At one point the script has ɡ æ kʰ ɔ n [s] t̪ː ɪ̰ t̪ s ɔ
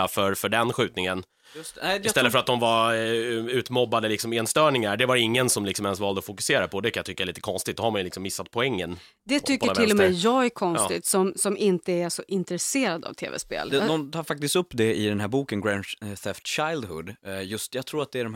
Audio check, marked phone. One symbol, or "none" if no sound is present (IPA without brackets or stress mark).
s